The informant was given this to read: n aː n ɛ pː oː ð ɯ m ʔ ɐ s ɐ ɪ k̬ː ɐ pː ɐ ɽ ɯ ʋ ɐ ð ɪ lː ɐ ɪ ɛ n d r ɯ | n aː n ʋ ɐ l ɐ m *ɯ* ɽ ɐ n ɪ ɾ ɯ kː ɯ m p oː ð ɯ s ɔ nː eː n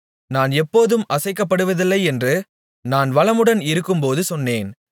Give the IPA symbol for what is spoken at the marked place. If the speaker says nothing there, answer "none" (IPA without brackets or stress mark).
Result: ɯ